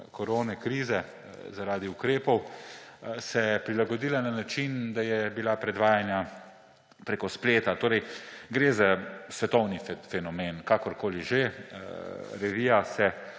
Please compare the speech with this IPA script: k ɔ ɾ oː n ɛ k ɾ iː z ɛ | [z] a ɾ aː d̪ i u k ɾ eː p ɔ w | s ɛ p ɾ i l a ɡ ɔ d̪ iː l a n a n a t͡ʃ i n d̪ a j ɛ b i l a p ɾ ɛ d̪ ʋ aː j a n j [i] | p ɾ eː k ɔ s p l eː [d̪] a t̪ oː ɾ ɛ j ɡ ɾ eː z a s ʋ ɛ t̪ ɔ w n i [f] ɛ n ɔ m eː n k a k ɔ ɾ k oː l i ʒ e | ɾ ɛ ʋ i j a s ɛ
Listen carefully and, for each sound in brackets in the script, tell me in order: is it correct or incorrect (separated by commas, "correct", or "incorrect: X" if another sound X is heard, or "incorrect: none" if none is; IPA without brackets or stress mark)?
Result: correct, incorrect: a, incorrect: t̪, correct